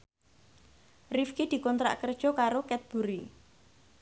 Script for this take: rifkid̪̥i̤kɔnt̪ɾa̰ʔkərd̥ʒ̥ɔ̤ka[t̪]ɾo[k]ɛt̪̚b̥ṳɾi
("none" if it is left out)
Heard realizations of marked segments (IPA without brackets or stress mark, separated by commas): none, k